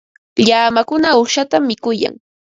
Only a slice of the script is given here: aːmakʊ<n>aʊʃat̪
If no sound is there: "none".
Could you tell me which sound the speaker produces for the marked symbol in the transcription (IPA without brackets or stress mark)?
n